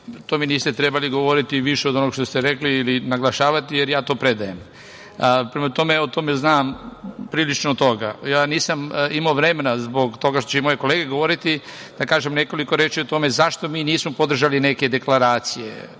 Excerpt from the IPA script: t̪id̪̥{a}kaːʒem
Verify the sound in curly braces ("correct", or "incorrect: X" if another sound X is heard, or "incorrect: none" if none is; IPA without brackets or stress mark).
correct